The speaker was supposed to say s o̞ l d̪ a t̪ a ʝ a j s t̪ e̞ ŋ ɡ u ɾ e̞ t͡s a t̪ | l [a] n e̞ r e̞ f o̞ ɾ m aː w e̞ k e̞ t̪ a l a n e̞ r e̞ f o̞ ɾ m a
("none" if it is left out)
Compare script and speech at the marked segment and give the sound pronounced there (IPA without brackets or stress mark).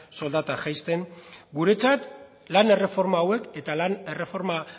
a